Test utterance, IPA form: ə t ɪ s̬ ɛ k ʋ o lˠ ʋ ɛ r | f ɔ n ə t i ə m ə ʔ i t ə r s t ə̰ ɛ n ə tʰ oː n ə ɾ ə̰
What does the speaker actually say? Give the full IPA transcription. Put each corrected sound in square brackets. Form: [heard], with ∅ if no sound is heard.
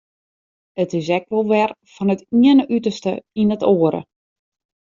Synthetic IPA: ə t ɪ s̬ ɛ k ʋ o lˠ ʋ ɛ r | f ɔ n ə t i ə [n] ə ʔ [y] t ə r s t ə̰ [i] n ə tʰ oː [∅] ə ɾ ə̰